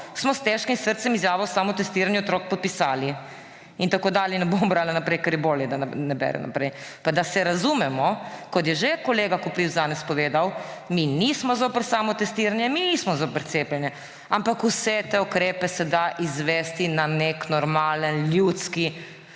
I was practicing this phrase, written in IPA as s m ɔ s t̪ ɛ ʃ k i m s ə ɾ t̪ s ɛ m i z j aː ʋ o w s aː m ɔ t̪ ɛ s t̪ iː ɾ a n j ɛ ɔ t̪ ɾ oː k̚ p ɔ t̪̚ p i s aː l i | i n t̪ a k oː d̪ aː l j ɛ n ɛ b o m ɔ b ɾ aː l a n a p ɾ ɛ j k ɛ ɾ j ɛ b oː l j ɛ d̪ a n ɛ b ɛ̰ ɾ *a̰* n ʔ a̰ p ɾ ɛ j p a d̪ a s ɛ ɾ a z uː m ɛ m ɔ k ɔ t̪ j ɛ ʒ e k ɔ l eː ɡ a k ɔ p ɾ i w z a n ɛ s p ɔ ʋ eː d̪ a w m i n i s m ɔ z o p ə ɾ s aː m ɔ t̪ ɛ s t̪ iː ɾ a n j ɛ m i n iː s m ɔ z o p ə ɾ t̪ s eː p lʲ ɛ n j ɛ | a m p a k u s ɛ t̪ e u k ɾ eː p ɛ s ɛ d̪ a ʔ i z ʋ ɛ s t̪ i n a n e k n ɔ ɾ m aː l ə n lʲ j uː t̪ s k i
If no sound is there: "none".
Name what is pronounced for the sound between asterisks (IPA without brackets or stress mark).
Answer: ɛ̰